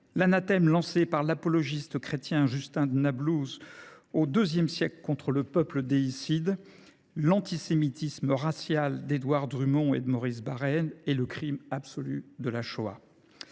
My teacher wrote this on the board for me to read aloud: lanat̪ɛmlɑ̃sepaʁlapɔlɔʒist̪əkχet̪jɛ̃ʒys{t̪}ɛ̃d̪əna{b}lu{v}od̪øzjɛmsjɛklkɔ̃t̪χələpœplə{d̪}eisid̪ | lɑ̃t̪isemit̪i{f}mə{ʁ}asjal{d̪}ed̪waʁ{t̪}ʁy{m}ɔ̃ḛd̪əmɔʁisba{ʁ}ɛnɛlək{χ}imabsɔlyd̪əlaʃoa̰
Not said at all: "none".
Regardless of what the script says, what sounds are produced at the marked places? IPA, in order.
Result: t̪, b, z, d̪, s, ʁ, d̪, d̪, m, ʁ, χ

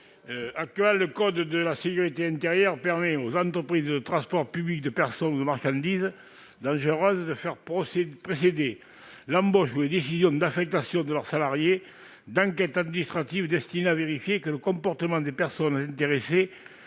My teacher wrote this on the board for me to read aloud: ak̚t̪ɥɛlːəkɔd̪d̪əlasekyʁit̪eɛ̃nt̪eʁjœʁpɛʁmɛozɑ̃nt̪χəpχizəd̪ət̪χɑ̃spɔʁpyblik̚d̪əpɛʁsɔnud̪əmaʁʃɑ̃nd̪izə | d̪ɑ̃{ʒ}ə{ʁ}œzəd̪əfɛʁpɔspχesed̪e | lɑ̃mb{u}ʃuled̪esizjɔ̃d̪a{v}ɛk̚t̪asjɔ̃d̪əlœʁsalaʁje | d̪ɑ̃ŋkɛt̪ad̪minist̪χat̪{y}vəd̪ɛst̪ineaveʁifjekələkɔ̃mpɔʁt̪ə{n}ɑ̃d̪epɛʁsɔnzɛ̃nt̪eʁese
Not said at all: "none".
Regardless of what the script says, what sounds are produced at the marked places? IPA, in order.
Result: ʒ, ʁ, ɔ, f, i, m

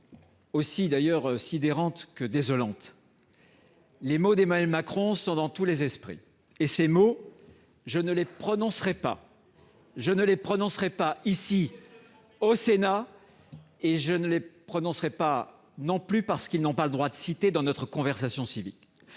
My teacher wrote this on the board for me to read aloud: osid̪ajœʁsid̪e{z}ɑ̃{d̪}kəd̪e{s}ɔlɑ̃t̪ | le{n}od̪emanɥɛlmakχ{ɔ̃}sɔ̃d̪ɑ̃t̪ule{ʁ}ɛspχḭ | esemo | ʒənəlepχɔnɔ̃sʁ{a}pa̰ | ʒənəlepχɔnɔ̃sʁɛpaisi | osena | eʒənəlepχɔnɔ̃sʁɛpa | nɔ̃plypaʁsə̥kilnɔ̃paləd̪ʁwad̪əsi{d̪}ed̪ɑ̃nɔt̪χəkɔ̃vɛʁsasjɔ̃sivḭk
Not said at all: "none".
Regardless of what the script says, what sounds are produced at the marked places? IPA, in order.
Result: ʁ, t̪, z, m, ɔ̃, z, ɛ, t̪

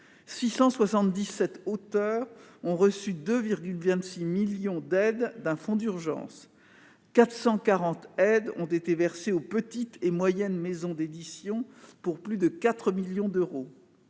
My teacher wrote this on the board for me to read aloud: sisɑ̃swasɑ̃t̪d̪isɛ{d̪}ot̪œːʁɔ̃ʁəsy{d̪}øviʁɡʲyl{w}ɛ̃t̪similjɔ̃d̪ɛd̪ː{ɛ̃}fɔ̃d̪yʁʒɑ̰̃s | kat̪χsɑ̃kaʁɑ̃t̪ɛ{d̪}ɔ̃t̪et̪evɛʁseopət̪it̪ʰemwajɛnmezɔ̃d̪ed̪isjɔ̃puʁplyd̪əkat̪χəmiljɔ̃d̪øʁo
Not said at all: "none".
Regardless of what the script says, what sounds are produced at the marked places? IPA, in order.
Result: t̪, d̪, v, ɛ̃, d̪

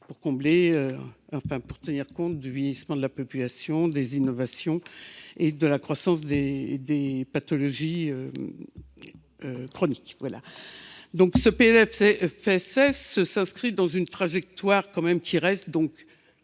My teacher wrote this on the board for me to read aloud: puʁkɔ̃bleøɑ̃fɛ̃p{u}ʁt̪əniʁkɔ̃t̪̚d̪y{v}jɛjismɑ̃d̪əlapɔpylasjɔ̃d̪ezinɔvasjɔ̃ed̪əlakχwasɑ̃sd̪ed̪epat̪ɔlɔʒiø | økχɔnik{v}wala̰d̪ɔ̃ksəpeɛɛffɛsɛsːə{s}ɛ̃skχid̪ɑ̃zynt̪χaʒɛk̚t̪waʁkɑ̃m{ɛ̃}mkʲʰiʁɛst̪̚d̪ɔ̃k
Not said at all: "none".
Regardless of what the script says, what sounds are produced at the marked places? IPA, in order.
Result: u, v, v, s, ɛ

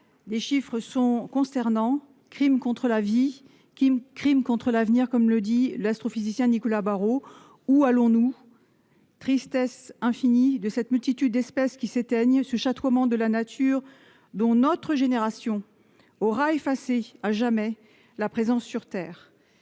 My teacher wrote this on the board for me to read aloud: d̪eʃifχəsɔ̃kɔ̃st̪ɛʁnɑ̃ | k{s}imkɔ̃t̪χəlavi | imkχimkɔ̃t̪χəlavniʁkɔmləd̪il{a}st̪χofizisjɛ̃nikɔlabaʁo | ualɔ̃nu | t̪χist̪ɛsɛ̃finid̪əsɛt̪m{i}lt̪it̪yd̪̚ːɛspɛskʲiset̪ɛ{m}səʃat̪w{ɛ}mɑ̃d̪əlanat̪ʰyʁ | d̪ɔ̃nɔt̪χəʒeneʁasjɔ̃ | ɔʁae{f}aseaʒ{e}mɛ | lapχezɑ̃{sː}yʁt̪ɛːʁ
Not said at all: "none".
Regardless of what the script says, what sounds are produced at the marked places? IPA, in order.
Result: χ, a, y, ɲ, a, f, a, sː

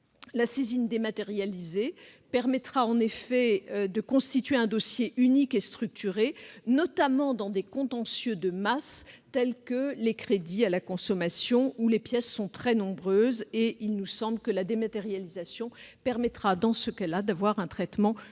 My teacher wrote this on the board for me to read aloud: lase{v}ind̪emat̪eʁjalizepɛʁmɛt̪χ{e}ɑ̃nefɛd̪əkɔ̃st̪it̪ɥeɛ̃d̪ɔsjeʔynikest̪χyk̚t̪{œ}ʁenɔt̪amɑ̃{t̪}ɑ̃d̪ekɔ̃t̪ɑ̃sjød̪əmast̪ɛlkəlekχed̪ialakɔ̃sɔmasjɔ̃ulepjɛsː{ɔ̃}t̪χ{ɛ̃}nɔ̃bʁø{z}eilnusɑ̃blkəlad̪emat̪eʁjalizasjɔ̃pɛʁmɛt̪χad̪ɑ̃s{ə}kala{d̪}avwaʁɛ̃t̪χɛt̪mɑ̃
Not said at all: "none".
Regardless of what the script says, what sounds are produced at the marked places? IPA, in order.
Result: z, a, y, d̪, ɔ̃, ɛ, z, ə, d̪

